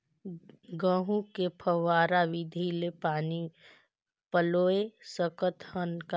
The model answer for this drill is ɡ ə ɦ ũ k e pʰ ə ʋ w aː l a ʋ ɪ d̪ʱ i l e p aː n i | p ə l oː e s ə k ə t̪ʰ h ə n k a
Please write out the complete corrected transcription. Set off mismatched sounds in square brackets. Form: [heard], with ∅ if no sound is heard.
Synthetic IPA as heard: ɡ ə ɦ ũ k e pʰ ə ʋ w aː [ɾ] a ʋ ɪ d̪ʱ i l e p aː n i | p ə l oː e s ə k ə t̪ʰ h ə n k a